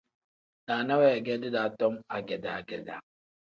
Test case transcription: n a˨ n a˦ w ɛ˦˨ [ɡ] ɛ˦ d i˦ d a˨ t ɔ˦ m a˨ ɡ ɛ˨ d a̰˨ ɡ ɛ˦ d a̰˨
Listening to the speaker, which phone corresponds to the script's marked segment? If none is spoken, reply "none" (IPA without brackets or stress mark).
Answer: ɡ